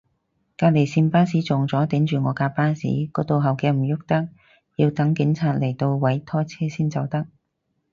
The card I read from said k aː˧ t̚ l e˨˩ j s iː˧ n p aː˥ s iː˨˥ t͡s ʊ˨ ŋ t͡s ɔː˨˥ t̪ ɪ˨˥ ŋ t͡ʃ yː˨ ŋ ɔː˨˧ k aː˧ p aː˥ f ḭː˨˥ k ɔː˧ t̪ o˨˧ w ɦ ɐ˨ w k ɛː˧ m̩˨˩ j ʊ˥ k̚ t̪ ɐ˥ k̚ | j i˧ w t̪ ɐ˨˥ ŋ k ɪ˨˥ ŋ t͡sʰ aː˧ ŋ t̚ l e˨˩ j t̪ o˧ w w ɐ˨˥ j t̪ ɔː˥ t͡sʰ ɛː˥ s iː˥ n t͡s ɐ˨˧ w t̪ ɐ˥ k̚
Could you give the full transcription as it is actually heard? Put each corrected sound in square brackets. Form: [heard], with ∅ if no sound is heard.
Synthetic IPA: k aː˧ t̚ l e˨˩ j s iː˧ n p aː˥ s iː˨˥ t͡s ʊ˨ ŋ t͡s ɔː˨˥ t̪ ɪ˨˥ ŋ t͡ʃ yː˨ ŋ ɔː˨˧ k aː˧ p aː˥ [s] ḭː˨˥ k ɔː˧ t̪ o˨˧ w ɦ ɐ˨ w k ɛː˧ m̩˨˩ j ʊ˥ k̚ t̪ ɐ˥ k̚ | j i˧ w t̪ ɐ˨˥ ŋ k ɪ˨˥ ŋ t͡sʰ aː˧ [∅] t̚ l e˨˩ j t̪ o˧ w w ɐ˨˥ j [t̪ʰ] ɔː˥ t͡sʰ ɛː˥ s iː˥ n t͡s ɐ˨˧ w t̪ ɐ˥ k̚